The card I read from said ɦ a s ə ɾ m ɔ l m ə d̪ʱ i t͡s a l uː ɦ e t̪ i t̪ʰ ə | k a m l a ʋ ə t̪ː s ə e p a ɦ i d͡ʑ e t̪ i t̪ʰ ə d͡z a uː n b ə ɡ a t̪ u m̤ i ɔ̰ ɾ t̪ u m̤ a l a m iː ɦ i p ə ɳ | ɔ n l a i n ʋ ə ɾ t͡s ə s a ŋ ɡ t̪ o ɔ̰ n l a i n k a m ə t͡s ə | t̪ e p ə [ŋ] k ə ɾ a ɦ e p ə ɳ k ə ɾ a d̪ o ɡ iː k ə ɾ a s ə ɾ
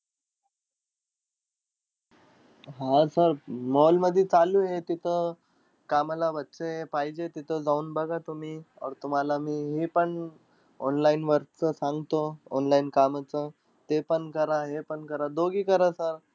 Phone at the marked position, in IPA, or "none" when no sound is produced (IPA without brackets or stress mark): ɳ